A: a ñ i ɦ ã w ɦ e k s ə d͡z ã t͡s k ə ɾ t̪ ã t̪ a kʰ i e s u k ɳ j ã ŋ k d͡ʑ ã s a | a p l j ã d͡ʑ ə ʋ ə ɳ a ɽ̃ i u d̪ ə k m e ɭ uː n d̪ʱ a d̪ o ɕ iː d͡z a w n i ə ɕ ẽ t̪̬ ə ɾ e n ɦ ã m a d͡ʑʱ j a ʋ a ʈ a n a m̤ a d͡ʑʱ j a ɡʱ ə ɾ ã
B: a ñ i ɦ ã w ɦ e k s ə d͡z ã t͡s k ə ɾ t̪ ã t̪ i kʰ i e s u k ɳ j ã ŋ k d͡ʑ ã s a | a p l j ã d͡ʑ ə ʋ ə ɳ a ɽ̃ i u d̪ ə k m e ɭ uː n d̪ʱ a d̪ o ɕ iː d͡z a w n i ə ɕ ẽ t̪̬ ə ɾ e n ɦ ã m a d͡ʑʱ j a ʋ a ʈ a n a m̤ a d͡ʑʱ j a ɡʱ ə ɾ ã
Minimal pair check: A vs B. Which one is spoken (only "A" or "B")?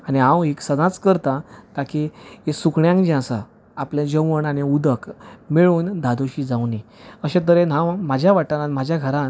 A